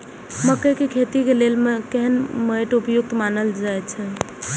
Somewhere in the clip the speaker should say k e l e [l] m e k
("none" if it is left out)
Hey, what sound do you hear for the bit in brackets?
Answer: l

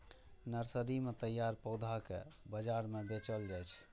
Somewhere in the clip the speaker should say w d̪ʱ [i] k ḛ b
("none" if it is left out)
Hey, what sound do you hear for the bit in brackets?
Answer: a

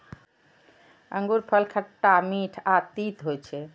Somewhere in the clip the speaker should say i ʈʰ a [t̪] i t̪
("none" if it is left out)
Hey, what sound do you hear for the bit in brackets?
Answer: t̪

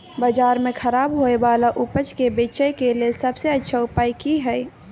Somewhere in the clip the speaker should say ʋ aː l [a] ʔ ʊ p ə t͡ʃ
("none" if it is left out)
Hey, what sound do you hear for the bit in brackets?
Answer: a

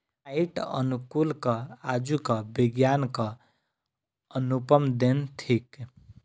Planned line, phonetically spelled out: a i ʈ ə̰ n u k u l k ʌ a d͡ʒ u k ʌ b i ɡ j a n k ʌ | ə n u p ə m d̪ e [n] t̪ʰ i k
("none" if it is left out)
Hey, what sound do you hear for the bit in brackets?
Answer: n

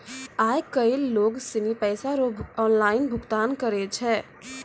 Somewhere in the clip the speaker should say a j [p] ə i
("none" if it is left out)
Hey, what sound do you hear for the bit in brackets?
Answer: k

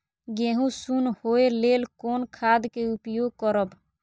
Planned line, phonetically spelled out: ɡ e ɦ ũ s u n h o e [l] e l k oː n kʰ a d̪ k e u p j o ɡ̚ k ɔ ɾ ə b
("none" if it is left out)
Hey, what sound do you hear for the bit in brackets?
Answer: l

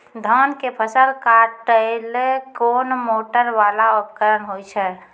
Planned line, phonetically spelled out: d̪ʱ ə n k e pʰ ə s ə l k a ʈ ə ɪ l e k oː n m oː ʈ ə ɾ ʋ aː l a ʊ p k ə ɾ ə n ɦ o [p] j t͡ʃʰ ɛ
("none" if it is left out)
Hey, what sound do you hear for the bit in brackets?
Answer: none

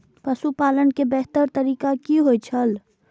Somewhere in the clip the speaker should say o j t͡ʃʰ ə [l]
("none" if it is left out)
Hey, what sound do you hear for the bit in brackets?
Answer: l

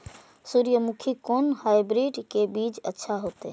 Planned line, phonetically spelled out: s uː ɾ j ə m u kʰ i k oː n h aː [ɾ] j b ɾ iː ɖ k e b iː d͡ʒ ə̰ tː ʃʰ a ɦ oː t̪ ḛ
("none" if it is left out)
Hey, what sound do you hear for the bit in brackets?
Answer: none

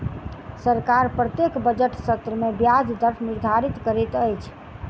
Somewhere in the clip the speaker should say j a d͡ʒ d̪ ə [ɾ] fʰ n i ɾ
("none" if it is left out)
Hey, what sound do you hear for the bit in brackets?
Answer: ɾ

